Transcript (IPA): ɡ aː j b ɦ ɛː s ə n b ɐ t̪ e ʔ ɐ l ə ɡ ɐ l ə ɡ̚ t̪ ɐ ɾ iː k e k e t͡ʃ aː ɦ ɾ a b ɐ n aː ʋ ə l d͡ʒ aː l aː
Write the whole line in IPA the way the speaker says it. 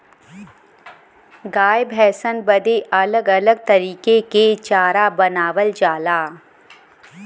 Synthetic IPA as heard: ɡ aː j b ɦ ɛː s ə n b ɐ d̪ e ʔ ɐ l ə ɡ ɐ l ə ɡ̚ t̪ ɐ ɾ iː k e k e t͡ʃ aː ɾ a b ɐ n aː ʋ ə l d͡ʒ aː l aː